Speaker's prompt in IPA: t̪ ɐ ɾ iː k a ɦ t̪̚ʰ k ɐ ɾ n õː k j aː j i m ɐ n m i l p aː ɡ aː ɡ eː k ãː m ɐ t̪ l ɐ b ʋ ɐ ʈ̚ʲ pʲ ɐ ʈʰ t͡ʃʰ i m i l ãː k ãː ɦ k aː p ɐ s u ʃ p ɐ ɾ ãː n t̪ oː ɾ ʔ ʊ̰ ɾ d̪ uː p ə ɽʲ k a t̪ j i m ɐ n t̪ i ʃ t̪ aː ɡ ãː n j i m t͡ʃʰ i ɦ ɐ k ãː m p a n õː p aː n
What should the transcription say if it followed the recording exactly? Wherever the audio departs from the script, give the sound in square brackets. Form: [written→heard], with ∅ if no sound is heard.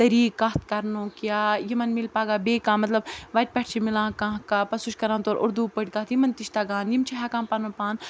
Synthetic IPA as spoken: t̪ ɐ ɾ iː k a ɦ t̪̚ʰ k ɐ ɾ n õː k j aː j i m ɐ n m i l p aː ɡ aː [ɡ→b] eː k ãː m ɐ t̪ l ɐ b ʋ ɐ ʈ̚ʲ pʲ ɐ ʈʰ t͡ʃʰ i m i l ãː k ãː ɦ k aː p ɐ s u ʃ [p→k] ɐ ɾ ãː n t̪ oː ɾ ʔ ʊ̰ ɾ d̪ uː p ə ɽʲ k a t̪ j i m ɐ n t̪ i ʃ t̪ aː ɡ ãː n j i m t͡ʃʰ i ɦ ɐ k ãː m p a n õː p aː n